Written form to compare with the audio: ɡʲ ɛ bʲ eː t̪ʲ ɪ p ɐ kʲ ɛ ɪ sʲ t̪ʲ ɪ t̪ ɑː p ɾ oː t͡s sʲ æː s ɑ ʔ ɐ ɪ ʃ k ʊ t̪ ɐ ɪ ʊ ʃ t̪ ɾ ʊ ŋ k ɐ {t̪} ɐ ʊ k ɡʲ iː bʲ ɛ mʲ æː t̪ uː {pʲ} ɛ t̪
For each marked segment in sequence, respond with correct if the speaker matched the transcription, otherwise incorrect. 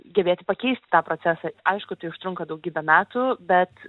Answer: incorrect, incorrect

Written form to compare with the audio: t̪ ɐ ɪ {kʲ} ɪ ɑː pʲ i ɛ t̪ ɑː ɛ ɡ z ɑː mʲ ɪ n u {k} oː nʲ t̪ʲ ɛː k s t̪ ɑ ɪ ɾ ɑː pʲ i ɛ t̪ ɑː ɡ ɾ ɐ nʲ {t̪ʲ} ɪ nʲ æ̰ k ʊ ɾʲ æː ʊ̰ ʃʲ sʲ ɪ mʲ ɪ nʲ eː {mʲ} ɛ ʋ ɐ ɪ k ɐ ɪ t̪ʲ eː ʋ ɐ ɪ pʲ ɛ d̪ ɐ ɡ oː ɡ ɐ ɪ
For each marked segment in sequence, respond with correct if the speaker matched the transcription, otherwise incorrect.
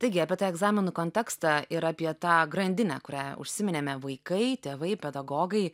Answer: incorrect, correct, incorrect, correct

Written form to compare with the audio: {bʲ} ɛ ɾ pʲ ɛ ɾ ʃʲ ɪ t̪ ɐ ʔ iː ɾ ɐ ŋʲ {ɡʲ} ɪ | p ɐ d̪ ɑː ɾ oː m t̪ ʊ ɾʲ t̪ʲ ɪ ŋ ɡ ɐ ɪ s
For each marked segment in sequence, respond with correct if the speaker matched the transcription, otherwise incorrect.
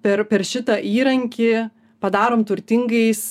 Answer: incorrect, incorrect

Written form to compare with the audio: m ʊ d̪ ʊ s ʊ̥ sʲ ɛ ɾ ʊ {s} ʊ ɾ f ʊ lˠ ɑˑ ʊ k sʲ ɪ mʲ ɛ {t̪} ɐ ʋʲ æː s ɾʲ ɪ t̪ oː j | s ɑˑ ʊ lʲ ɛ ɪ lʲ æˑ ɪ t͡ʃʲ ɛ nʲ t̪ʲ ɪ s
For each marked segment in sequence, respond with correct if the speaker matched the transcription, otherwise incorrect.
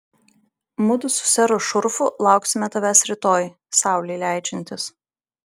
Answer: incorrect, correct

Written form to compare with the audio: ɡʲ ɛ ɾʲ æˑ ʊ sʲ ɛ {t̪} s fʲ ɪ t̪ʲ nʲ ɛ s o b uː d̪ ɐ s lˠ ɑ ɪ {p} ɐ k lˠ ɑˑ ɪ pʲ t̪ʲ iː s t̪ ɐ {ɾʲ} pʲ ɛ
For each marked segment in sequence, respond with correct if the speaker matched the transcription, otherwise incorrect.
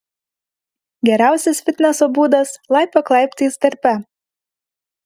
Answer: incorrect, correct, correct

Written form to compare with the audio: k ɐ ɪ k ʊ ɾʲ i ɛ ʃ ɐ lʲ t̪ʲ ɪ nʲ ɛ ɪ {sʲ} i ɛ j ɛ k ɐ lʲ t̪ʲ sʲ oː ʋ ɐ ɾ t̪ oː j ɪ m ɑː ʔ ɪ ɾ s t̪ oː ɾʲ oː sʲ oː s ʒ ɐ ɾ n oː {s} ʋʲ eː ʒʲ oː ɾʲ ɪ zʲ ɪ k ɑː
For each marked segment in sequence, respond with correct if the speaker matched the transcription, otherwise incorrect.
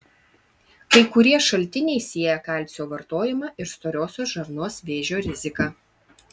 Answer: correct, correct

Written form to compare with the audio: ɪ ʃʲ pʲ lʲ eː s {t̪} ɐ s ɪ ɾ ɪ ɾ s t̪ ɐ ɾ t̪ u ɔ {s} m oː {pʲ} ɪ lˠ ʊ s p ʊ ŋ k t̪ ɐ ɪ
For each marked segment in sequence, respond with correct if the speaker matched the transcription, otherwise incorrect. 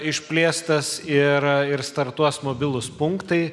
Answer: correct, correct, incorrect

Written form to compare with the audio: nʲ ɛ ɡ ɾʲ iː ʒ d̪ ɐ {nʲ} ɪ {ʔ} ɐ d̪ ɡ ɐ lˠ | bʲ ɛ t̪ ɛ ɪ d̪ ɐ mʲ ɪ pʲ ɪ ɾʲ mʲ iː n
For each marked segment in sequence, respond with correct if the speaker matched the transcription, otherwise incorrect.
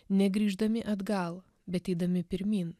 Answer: incorrect, correct

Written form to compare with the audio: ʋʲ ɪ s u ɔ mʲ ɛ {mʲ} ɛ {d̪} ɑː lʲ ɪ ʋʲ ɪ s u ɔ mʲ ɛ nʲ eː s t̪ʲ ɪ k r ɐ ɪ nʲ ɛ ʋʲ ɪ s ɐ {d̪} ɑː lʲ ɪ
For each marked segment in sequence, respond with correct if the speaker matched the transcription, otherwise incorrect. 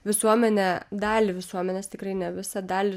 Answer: incorrect, correct, correct

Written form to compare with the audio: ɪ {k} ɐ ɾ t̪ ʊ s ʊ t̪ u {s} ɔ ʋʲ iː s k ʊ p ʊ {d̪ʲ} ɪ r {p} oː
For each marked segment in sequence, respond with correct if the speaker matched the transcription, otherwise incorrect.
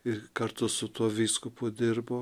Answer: correct, incorrect, correct, incorrect

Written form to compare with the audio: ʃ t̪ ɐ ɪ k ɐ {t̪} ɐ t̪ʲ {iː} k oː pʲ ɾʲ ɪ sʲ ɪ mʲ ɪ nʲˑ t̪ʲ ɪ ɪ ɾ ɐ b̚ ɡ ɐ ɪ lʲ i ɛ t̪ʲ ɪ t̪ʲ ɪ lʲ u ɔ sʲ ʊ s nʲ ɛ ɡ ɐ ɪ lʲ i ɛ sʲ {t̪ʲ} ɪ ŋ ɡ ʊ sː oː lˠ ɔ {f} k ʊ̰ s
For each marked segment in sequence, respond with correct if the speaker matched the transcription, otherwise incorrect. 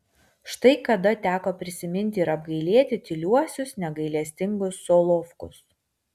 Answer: incorrect, incorrect, correct, correct

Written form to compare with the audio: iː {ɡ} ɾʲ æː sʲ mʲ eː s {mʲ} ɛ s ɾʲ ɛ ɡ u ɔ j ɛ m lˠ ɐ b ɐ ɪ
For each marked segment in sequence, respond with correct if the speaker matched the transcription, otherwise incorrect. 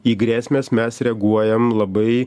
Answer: correct, correct

